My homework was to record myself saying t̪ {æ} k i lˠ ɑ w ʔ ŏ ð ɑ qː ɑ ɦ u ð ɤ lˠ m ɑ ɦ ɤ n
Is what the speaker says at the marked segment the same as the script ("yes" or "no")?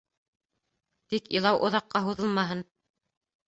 no